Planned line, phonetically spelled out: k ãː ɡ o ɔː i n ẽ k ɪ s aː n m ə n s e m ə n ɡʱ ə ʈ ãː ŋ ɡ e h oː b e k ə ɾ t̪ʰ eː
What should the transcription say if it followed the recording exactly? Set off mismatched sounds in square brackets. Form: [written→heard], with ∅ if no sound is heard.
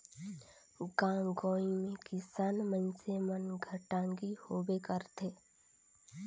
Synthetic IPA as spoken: [k→ɡ] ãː ɡ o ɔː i [n→m] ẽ k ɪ s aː n m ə n s e m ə n ɡʱ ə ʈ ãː ŋ ɡ [e→i] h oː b e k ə ɾ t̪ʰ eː